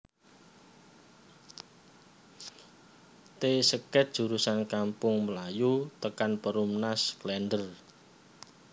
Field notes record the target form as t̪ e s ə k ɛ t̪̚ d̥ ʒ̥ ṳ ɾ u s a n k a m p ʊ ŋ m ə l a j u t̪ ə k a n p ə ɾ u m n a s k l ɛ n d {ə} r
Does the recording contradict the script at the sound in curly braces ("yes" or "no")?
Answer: no